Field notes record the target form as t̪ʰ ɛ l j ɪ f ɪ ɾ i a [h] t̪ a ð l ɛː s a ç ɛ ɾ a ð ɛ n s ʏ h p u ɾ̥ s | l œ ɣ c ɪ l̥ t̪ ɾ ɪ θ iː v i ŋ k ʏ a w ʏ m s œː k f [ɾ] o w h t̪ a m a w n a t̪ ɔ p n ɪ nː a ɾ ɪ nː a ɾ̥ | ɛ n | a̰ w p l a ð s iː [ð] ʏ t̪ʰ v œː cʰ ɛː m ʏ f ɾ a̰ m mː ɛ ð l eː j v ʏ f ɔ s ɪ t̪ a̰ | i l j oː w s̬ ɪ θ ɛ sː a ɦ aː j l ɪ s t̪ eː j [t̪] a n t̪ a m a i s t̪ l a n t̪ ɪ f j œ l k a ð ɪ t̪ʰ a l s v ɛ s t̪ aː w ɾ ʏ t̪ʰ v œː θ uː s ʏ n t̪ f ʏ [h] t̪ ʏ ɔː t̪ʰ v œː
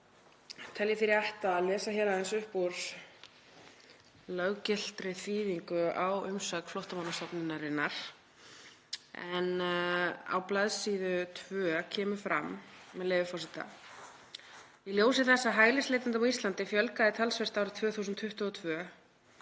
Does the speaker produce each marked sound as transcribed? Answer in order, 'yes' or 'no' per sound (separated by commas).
yes, no, yes, yes, yes